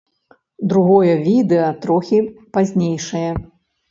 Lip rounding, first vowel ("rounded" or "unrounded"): rounded